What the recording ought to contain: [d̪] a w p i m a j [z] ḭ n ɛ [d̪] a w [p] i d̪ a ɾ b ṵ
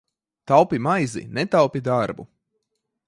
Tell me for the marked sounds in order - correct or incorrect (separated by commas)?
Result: incorrect, correct, incorrect, correct